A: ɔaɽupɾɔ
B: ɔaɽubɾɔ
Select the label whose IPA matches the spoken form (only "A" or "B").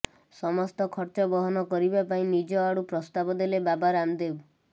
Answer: A